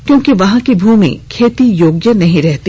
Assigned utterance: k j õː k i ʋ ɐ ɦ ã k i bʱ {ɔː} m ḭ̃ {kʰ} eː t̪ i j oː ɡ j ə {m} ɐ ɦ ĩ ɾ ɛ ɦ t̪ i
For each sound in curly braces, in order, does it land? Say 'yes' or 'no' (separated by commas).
no, yes, no